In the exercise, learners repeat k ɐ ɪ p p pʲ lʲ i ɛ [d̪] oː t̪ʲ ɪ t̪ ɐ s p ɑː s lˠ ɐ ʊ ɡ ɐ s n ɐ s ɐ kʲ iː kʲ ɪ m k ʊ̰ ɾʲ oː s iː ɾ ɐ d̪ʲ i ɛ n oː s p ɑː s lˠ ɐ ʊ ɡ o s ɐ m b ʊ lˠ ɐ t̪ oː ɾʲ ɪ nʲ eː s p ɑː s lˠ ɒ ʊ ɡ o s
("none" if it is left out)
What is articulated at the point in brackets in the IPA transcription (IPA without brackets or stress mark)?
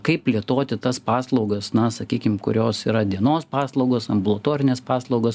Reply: t̪